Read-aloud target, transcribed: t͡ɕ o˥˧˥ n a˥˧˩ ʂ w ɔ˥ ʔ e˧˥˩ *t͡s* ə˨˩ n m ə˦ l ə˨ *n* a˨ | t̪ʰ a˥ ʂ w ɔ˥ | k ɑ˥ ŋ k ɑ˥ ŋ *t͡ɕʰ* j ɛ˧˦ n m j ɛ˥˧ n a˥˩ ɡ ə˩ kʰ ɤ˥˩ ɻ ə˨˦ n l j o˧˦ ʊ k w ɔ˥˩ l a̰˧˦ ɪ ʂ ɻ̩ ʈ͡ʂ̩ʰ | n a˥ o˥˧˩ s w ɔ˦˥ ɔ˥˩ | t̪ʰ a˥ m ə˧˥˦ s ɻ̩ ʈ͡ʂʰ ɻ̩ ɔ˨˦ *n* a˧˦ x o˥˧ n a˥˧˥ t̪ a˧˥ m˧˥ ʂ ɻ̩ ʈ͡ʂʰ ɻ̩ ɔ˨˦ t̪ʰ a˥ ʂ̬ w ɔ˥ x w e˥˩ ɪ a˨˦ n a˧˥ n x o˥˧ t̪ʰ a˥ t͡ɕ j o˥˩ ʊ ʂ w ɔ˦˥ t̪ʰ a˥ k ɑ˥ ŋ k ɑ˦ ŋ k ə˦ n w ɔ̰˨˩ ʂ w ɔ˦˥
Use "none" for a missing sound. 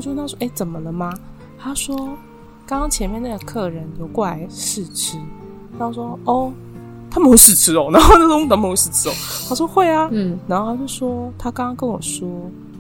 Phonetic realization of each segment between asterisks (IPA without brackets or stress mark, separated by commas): t͡s, m, t͡ɕʰ, n